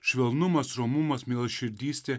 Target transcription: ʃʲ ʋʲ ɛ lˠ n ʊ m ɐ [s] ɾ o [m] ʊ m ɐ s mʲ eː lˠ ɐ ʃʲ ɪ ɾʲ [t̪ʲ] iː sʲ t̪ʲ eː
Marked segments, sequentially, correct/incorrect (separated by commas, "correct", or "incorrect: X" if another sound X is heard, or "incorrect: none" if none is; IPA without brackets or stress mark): correct, correct, incorrect: d̪ʲ